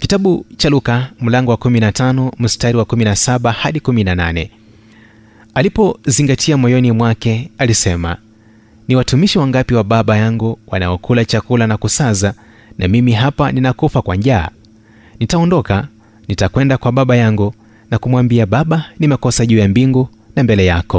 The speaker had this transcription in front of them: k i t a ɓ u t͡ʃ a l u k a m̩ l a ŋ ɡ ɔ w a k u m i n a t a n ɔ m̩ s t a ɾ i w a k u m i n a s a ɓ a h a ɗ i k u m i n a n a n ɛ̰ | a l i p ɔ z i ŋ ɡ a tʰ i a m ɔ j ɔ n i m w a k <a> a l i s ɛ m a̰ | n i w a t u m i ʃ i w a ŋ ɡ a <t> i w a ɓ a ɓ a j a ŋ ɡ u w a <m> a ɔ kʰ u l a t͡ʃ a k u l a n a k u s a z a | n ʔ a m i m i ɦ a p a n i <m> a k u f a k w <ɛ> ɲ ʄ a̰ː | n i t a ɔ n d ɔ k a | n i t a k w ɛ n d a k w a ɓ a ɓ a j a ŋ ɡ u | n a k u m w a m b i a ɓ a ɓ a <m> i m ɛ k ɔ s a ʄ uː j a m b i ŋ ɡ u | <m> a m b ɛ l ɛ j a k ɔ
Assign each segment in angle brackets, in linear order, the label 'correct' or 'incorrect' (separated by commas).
incorrect, incorrect, incorrect, incorrect, incorrect, incorrect, incorrect